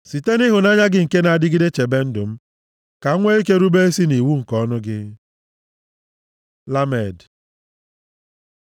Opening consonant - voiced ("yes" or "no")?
no